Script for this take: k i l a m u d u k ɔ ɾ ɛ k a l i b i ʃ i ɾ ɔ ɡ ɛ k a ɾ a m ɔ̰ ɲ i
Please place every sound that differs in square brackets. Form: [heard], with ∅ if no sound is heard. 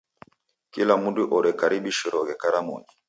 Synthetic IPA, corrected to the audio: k i l a m u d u [ʔ] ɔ ɾ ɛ k a [ɾ] i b i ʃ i ɾ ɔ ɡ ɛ k a ɾ a m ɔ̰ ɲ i